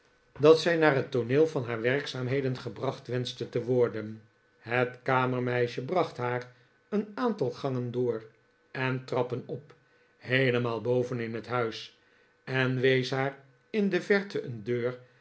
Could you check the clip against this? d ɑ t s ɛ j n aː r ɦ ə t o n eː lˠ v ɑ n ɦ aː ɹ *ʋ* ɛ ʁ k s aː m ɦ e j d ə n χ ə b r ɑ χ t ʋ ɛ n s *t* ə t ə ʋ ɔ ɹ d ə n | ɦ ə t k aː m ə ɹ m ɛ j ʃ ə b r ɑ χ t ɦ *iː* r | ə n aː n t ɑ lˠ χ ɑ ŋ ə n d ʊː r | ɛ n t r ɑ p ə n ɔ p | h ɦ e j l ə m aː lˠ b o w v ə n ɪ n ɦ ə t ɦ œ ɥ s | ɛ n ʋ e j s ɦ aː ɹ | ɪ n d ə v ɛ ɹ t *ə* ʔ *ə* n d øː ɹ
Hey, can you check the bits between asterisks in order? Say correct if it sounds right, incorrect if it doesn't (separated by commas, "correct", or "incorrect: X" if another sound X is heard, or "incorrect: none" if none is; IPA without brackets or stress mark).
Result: correct, correct, incorrect: aː, correct, correct